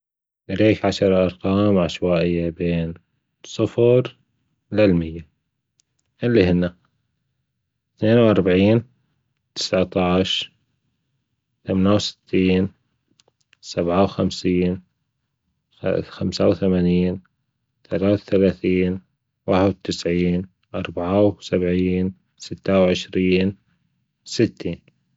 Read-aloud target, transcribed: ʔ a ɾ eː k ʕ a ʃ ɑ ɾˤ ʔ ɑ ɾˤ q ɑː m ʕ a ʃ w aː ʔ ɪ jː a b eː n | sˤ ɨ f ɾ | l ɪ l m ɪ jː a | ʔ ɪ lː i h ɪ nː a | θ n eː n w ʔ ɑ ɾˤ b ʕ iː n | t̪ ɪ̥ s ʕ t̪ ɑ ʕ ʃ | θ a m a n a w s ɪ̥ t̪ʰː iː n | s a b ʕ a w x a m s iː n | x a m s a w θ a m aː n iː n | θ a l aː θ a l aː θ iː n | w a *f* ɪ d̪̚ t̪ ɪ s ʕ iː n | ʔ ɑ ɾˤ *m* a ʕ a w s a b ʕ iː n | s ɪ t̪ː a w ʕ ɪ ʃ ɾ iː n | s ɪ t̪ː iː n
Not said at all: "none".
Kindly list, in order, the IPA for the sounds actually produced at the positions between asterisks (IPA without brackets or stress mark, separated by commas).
ħ, b